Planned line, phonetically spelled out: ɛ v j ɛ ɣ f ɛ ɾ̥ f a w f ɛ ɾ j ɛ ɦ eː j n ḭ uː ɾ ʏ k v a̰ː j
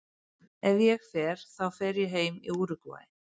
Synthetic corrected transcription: ɛ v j ɛ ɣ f ɛ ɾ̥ θ a w f ɛ ɾ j ɛ ɦ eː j m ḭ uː ɾ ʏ k v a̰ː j